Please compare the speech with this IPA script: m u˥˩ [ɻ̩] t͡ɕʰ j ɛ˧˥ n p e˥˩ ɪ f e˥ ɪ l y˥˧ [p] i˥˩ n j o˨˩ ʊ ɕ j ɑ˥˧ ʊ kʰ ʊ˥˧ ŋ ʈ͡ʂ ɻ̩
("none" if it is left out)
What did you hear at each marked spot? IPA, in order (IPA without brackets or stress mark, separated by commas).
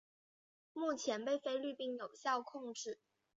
none, p